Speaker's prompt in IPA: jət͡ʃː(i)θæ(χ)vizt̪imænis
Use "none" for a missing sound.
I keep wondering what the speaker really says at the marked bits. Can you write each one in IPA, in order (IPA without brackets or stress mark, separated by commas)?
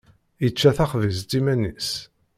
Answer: æ, χ